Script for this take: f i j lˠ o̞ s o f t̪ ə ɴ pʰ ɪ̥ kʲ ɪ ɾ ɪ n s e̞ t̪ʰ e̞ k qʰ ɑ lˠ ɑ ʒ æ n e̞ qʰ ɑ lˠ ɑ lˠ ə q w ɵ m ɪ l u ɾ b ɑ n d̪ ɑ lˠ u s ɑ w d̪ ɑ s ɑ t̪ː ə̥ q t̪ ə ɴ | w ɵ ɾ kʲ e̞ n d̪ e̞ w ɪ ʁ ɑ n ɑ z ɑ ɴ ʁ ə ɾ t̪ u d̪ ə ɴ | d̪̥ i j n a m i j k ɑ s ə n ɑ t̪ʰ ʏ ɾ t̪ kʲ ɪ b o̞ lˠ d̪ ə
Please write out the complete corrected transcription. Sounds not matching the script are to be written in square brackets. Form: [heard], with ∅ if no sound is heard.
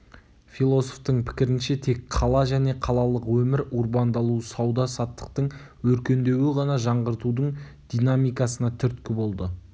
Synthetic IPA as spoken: f i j lˠ o̞ s o f t̪ ə ɴ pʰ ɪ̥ kʲ ɪ ɾ ɪ n [ʃ] e̞ t̪ʰ e̞ k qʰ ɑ lˠ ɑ ʒ æ n e̞ qʰ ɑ lˠ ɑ lˠ ə q w ɵ m ɪ [ɾ] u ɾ b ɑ n d̪ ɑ lˠ u s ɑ w d̪ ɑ s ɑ t̪ː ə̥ q t̪ ə ɴ | w ɵ ɾ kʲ e̞ n d̪ e̞ w ɪ ʁ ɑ n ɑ [ʒ] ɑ ɴ ʁ ə ɾ t̪ u d̪ ə ɴ | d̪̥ i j n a m i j k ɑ s ə n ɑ t̪ʰ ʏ ɾ t̪ kʲ ɪ b o̞ lˠ d̪ ə

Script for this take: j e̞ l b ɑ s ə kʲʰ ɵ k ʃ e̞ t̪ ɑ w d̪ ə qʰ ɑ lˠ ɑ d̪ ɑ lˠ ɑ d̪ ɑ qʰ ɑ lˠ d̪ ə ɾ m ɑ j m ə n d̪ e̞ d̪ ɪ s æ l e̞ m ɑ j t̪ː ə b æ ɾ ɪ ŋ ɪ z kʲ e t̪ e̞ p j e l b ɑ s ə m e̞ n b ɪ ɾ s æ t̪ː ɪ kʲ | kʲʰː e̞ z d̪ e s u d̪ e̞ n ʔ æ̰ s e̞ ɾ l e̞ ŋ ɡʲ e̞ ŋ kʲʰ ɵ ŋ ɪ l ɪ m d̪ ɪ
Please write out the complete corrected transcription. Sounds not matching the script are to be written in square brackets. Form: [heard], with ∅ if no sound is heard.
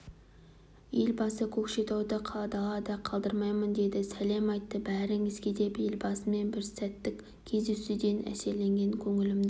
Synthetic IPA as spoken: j e̞ l b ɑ s ə kʲʰ ɵ k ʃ e̞ t̪ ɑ w d̪ ə qʰ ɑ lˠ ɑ d̪ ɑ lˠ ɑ d̪ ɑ qʰ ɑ lˠ d̪ ə ɾ m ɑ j m ə n d̪ e̞ d̪ ɪ s æ l e̞ m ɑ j t̪ː ə b æ ɾ ɪ ŋ ɪ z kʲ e [d̪] e̞ p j e l b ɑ s ə m e̞ n b ɪ ɾ s æ t̪ː ɪ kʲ | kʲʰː e̞ z d̪ e s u d̪ e̞ n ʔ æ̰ s e̞ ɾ l e̞ ŋ ɡʲ e̞ ŋ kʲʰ ɵ ŋ ɪ l ɪ m d̪ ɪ

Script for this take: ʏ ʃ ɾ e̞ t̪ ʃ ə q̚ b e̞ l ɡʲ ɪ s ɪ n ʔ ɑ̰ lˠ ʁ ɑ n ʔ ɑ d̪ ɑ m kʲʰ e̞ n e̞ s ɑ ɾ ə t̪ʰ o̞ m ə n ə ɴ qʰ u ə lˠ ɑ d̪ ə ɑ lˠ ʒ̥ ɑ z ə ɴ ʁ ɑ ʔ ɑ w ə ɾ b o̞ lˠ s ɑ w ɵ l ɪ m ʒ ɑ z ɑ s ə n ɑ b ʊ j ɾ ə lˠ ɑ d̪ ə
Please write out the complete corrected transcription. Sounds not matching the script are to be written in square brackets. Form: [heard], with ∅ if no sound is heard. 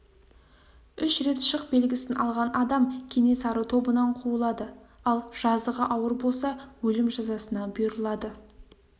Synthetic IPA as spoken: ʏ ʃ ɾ e̞ t̪ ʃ ə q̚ b e̞ l ɡʲ ɪ s ɪ n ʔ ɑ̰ lˠ ʁ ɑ n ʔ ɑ d̪ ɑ m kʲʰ e̞ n e̞ s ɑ ɾ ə t̪ʰ o̞ [b] ə n [ɑ] ɴ qʰ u ə lˠ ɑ d̪ ə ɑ lˠ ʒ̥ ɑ z ə [∅] ʁ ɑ ʔ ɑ w ə ɾ b o̞ lˠ s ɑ w ɵ l ɪ m ʒ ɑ z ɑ s ə n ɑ b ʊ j ɾ ə lˠ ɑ d̪ ə

